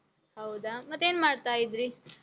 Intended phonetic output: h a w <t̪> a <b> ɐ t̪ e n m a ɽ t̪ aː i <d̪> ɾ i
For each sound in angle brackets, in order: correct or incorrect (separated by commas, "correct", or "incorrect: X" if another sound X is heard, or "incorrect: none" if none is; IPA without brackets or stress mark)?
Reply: incorrect: d̪, incorrect: m, correct